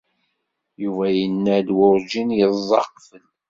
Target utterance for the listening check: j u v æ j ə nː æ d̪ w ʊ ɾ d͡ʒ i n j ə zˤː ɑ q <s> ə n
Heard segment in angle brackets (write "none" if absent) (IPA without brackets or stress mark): f